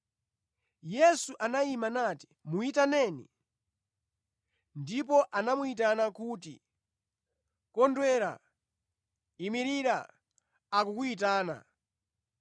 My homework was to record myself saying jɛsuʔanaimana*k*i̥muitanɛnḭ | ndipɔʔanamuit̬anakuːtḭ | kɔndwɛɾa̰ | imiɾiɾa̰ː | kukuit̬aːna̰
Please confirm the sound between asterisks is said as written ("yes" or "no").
no